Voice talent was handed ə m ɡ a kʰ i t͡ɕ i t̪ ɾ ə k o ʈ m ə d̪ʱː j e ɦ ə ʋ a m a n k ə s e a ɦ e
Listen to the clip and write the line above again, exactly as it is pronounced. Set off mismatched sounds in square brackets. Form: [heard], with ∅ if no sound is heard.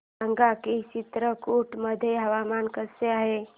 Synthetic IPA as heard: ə [ŋ] ɡ a [k] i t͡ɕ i t̪ ɾ ə k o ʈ m ə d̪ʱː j e ɦ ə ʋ a m a n k ə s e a ɦ e